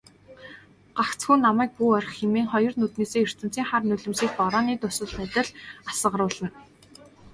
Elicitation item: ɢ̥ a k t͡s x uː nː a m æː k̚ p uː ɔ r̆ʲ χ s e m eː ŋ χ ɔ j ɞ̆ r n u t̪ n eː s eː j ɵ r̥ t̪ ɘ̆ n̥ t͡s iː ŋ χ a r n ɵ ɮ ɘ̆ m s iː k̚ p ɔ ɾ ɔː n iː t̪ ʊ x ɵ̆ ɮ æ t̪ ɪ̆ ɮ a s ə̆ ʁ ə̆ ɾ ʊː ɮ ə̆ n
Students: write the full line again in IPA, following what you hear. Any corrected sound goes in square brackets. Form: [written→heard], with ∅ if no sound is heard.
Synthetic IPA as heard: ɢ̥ a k t͡s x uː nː a m æː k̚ p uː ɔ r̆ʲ χ [s→x] e m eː ŋ χ ɔ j ɞ̆ r n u t̪ n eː s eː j ɵ r̥ t̪ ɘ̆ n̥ t͡s iː ŋ χ a r n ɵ ɮ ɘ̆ m s iː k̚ p ɔ ɾ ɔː n iː t̪ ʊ [x→s] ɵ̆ ɮ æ t̪ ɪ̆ ɮ a s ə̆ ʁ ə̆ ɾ ʊː ɮ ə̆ n